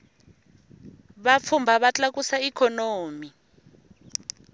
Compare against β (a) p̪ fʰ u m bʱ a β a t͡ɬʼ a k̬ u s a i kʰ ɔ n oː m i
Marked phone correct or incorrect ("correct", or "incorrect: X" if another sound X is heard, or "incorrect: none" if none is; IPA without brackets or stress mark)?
correct